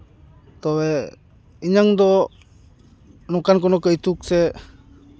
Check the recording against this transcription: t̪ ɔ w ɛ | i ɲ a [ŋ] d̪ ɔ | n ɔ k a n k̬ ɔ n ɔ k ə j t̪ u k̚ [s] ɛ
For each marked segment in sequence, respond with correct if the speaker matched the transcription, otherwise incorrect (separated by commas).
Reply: correct, correct